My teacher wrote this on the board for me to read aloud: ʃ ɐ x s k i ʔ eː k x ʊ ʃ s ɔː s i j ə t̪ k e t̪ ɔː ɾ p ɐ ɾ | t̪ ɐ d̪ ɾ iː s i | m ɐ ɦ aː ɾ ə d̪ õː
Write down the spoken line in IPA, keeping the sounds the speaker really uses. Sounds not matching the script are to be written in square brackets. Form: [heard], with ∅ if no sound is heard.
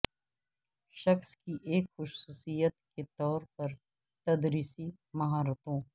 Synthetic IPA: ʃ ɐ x s k i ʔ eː k x ʊ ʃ s [uː] s i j ə t̪ k e t̪ ɔː ɾ p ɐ ɾ | t̪ ɐ d̪ ɾ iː s i | m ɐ ɦ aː ɾ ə [t̪] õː